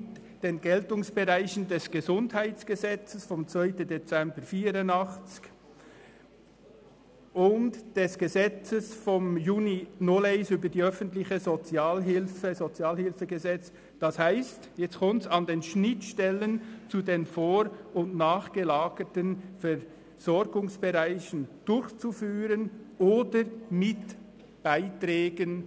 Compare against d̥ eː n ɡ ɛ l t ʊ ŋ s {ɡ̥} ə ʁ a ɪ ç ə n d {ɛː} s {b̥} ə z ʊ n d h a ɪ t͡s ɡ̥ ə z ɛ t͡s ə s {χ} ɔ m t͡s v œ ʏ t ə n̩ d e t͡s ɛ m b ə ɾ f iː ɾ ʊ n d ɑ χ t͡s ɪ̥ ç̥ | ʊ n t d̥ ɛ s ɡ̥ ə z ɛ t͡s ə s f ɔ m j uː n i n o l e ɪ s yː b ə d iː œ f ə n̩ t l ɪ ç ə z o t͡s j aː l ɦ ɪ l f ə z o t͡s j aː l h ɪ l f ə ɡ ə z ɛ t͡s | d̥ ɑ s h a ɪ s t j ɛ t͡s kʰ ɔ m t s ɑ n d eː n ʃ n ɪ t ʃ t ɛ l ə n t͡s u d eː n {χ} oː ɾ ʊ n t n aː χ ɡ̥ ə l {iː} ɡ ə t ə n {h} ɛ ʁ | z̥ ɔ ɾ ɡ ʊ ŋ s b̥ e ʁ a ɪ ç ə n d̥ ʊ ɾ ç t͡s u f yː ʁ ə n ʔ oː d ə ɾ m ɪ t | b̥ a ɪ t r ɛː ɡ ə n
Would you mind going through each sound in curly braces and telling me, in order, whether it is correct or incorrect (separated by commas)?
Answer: incorrect, incorrect, incorrect, incorrect, incorrect, incorrect, incorrect